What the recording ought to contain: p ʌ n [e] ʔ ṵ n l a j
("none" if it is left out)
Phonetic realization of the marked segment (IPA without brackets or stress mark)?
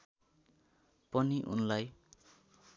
i